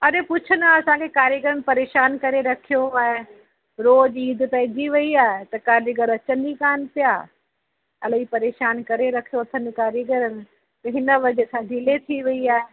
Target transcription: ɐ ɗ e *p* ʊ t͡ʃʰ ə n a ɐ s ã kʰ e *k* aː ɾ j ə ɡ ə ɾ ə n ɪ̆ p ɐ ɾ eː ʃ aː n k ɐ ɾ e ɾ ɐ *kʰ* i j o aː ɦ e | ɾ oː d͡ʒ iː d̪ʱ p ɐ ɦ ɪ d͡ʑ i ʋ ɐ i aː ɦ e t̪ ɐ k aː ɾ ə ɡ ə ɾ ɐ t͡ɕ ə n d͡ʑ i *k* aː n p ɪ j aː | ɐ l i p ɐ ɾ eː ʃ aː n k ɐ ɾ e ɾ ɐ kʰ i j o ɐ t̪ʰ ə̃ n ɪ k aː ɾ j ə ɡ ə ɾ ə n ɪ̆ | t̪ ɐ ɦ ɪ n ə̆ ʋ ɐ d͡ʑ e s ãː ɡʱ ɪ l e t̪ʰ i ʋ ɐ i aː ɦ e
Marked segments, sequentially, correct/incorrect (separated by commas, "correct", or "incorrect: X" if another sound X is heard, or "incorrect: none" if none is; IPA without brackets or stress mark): correct, correct, correct, correct